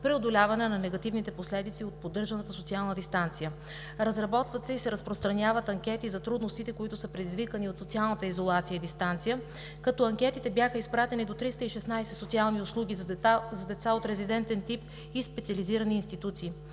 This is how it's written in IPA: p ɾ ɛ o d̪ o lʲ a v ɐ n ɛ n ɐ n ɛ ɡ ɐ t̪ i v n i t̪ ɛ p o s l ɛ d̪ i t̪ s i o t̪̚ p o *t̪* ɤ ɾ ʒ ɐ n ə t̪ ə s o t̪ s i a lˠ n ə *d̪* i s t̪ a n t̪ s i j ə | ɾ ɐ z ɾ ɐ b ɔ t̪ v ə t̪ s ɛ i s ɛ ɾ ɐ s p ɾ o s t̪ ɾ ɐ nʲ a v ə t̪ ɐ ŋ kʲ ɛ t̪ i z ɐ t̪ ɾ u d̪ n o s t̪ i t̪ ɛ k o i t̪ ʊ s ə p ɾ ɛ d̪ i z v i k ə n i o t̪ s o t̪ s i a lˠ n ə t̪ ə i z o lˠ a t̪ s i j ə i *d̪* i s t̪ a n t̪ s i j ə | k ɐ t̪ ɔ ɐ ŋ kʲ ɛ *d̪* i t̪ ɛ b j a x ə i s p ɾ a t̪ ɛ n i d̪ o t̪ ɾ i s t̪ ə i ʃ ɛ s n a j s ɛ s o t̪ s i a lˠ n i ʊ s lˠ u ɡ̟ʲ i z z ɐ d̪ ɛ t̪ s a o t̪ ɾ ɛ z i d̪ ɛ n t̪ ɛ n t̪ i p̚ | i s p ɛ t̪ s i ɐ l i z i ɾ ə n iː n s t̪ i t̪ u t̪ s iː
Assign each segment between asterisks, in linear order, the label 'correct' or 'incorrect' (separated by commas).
incorrect, correct, correct, incorrect